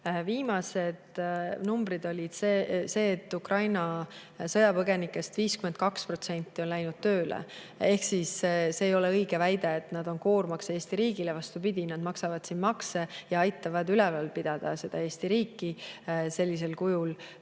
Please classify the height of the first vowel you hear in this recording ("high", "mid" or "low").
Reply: high